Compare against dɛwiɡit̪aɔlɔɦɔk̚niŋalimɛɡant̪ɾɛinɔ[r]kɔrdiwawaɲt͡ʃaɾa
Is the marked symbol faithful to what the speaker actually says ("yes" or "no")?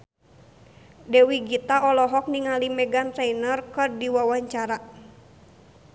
yes